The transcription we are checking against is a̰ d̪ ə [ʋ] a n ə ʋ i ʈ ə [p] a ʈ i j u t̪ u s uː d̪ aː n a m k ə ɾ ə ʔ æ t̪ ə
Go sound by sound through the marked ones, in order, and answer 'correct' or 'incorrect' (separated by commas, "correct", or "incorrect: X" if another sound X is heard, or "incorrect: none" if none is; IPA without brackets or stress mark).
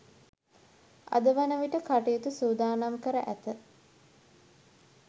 correct, incorrect: k